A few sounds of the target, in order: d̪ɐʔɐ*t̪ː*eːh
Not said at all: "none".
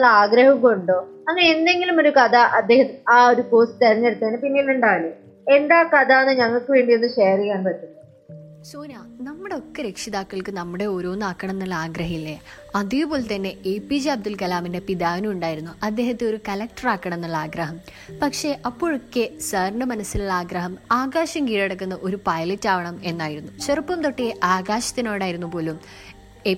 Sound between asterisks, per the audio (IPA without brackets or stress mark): d̪ː